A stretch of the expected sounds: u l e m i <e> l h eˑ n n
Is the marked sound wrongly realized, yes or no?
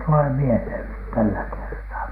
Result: no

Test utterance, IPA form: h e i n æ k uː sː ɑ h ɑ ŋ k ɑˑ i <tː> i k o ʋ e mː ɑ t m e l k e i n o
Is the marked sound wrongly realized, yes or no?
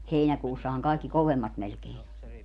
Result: yes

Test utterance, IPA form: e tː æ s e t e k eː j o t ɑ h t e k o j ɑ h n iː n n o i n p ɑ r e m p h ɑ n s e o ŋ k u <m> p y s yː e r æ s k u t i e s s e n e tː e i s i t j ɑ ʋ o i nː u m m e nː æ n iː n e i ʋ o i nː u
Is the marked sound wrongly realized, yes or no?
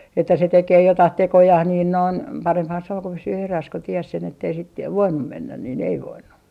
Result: yes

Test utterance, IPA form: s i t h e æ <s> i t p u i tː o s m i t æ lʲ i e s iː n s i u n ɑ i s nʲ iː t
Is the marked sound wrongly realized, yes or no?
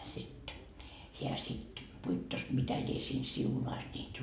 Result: no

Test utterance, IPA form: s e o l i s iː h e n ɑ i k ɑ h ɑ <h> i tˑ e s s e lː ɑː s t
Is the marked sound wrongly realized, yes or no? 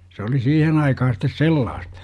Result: yes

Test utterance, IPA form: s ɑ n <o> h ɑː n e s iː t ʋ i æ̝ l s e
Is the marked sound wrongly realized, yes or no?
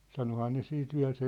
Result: no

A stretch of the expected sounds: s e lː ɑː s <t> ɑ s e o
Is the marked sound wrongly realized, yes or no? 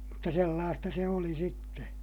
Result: no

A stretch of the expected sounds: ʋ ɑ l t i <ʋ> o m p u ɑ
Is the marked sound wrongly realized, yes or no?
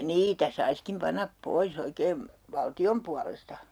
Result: yes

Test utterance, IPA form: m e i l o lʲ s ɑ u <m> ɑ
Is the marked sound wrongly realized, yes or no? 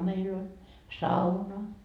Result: yes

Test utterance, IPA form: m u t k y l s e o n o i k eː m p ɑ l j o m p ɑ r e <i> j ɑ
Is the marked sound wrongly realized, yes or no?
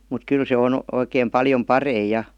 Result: no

